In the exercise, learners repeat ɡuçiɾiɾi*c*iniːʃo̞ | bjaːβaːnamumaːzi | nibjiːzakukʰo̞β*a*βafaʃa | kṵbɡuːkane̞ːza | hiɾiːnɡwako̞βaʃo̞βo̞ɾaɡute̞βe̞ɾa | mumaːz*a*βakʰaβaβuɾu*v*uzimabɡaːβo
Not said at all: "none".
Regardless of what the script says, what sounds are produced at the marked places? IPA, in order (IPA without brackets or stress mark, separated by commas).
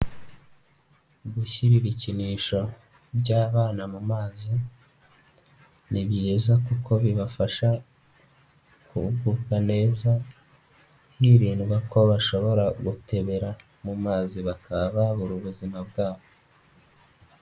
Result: c, i, i, β